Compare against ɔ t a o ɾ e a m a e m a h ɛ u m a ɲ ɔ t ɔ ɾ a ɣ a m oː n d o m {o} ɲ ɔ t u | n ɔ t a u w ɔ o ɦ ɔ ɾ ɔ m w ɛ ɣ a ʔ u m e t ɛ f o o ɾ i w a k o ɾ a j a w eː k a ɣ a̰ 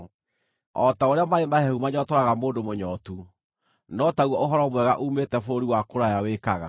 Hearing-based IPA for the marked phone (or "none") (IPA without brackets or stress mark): o